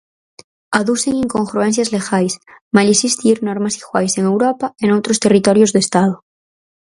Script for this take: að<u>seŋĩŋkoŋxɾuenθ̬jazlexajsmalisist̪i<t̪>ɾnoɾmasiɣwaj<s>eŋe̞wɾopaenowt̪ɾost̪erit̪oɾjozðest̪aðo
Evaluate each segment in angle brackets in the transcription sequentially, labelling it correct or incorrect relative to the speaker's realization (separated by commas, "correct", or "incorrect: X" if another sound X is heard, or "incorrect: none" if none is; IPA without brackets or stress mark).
correct, incorrect: none, correct